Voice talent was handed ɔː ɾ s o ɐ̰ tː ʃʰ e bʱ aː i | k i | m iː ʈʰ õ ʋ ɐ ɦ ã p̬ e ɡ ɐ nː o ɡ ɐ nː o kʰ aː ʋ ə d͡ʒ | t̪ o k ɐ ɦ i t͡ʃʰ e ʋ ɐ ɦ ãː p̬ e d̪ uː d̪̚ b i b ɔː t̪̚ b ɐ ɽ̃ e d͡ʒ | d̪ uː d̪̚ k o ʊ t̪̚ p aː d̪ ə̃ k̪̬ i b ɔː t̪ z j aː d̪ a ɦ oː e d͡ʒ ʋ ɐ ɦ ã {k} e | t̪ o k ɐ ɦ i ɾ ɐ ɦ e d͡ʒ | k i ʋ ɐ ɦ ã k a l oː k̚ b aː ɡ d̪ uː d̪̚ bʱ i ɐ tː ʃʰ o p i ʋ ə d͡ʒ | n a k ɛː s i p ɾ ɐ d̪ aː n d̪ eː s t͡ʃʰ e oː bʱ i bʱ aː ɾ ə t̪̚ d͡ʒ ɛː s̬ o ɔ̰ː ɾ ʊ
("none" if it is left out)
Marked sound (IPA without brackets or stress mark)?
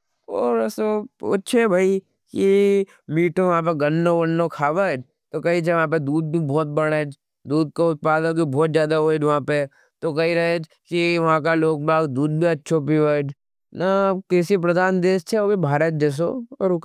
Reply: p